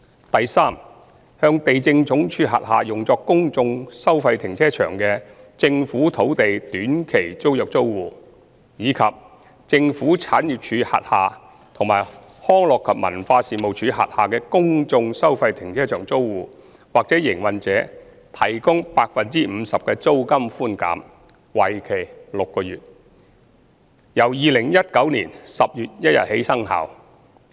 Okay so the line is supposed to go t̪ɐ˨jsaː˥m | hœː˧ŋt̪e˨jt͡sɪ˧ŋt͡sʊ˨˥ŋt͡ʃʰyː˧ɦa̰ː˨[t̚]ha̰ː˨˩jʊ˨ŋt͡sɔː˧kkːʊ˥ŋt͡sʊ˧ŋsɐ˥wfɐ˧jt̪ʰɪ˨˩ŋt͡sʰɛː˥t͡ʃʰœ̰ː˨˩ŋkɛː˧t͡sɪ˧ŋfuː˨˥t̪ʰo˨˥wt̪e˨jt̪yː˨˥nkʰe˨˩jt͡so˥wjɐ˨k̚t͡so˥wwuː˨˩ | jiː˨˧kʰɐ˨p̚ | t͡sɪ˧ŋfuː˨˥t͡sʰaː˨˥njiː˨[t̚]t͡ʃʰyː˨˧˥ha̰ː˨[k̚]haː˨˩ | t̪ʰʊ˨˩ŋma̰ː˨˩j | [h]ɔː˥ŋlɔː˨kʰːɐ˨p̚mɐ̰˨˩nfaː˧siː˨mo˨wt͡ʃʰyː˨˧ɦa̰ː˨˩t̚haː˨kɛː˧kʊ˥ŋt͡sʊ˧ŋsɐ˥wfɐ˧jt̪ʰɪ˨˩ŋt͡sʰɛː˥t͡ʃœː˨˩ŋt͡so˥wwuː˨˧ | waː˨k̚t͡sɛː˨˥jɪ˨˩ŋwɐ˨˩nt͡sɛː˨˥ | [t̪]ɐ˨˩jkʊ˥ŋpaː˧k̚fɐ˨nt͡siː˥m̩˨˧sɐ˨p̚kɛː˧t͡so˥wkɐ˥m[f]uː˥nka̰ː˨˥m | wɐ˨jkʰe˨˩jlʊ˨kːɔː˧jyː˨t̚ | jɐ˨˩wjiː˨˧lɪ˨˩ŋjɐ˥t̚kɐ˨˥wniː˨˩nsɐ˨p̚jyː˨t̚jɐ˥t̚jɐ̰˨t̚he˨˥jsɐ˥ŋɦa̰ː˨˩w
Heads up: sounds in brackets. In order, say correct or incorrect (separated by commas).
correct, incorrect, incorrect, correct, incorrect, correct